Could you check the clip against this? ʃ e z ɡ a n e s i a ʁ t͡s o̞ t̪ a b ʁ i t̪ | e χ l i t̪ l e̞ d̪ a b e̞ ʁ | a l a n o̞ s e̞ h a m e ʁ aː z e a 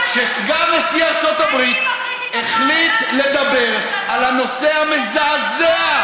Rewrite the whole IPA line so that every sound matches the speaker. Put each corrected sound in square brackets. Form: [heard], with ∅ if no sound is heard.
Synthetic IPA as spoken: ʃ e [s] ɡ a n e s i a ʁ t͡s o̞ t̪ a b ʁ i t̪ | e χ l i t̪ l e̞ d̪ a b e̞ ʁ | a l a n o̞ s e̞ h a m e [z] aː z e a